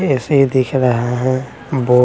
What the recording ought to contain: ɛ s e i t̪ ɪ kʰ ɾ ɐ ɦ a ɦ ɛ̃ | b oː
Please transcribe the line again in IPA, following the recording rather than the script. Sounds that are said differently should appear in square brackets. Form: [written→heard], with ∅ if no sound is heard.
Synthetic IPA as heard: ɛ s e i [t̪→d̪] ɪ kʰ ɾ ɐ ɦ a ɦ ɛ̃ | b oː